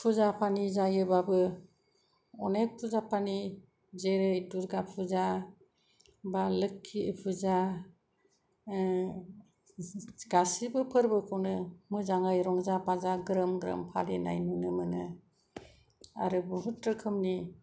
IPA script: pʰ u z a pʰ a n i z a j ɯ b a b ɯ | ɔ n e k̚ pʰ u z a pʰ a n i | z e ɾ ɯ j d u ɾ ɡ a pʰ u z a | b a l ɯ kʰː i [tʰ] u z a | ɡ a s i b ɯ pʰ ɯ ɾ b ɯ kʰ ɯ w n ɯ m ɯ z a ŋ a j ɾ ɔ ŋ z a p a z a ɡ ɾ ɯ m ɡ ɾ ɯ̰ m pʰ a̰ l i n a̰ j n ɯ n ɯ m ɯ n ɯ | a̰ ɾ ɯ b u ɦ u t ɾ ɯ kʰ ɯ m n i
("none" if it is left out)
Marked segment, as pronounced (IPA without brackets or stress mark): pʰ